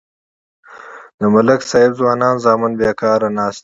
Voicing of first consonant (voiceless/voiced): voiced